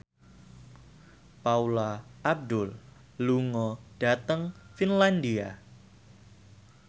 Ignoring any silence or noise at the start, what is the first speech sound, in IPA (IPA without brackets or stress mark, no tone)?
p